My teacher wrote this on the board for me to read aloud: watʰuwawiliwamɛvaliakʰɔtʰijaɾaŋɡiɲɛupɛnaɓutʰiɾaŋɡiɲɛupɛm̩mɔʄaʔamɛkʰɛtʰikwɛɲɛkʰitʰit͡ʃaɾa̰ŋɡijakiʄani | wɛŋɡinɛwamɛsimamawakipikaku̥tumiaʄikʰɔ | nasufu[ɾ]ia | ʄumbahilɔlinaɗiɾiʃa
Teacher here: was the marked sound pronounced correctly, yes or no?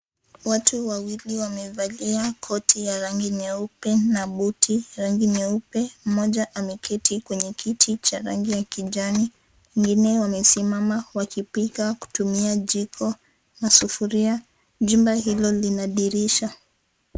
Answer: yes